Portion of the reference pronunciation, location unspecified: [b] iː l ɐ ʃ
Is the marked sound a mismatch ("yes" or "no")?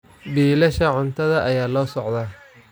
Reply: no